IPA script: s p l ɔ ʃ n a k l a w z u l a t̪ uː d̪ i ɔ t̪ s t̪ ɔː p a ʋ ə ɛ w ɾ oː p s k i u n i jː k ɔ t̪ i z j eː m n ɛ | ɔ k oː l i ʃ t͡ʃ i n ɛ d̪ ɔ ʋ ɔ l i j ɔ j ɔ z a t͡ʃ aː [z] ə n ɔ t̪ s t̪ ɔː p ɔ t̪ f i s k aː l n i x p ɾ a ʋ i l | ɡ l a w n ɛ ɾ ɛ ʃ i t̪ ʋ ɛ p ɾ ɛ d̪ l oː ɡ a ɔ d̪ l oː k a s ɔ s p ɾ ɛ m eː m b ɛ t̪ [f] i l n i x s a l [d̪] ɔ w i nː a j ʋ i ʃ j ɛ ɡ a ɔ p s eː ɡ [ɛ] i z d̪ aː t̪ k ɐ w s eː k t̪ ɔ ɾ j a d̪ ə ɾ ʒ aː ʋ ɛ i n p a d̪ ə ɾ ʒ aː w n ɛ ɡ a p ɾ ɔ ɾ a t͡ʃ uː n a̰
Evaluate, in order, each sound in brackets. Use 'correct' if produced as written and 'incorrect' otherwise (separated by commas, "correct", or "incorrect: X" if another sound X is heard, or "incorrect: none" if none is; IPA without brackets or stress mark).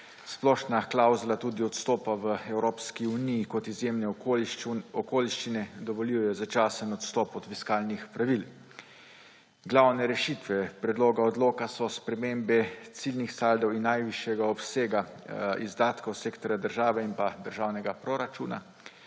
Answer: incorrect: s, incorrect: s, correct, incorrect: a